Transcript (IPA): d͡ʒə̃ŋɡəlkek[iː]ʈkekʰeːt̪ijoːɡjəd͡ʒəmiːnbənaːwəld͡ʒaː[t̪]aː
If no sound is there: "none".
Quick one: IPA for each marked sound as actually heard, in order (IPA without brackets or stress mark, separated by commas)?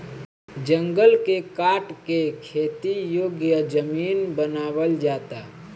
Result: aː, t̪